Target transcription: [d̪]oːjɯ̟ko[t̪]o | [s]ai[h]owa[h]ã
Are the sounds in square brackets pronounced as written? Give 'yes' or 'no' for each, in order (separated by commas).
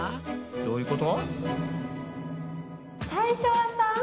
yes, yes, yes, no, no